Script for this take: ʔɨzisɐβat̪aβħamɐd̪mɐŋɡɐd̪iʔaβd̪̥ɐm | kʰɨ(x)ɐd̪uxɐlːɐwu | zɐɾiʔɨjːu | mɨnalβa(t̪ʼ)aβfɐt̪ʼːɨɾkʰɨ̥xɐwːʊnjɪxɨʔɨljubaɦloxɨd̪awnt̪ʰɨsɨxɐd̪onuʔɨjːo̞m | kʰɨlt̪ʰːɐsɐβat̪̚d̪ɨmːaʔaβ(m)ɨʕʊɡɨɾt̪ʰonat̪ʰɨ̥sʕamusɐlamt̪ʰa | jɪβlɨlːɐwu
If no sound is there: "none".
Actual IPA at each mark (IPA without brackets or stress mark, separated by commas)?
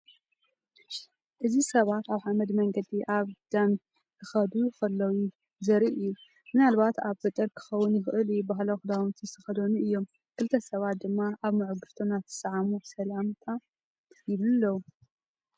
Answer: x, t̪, m